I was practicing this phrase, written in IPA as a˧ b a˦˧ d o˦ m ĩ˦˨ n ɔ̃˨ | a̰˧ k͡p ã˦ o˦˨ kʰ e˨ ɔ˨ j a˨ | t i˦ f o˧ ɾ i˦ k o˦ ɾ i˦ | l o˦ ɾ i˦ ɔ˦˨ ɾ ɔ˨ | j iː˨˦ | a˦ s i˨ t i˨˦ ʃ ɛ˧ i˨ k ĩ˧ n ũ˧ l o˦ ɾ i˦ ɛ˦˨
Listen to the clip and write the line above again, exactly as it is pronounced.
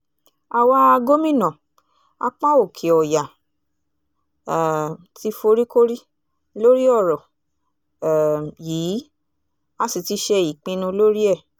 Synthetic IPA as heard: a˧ w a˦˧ ɡ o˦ m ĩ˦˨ n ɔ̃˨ | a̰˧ k͡p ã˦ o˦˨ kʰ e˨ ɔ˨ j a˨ | t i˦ f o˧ ɾ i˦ k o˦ ɾ i˦ | l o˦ ɾ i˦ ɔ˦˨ ɾ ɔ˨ | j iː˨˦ | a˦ s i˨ t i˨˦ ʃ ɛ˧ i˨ k͡p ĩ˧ n ũ˧ l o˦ ɾ i˦ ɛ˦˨